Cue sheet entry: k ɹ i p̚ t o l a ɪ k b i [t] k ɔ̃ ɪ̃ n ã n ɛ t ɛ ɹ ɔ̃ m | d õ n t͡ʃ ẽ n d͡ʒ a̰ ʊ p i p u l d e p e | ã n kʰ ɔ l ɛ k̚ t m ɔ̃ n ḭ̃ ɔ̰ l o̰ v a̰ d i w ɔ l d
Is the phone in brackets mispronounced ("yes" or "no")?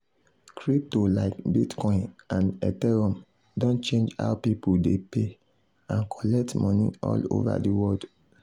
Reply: no